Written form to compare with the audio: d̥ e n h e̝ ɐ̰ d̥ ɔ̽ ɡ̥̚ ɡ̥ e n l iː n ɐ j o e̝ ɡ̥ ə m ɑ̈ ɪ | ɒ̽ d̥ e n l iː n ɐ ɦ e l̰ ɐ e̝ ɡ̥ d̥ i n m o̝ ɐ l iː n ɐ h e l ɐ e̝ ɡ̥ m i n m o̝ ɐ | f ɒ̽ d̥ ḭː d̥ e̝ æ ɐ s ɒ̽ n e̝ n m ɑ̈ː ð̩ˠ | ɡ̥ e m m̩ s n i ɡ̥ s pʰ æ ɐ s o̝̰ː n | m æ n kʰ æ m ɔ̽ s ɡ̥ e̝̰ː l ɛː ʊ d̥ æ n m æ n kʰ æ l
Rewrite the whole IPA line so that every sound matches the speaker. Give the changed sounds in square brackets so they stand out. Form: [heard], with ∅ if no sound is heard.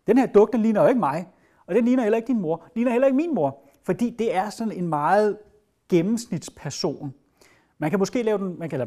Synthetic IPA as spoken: d̥ e n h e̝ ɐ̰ d̥ ɔ̽ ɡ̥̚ [d̥] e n l iː n ɐ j o e̝ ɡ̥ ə m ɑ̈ ɪ | ɒ̽ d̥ e n l iː n ɐ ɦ e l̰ ɐ e̝ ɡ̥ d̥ i n m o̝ ɐ l iː n ɐ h e l ɐ e̝ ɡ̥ m i n m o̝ ɐ | f ɒ̽ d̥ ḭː d̥ e̝ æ ɐ s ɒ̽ n e̝ n m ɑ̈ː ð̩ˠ | ɡ̥ e m m̩ s n i [d̥] s pʰ æ ɐ s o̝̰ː n | m æ n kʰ æ m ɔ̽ s ɡ̥ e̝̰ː l ɛː ʊ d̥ [e] n m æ n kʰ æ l